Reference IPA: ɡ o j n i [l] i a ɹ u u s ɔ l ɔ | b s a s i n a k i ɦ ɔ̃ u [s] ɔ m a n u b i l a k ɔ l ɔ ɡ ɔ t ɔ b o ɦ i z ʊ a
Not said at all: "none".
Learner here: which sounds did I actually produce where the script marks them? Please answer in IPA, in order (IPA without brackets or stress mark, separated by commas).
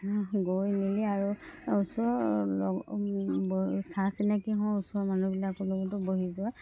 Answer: l, s